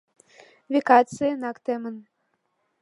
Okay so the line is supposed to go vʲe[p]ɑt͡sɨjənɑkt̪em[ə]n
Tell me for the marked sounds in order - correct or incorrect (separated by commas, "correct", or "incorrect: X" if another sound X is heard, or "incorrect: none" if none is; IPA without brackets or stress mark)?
incorrect: k, correct